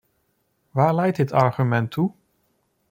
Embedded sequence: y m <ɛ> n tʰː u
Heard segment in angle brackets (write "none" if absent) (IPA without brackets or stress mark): ɛ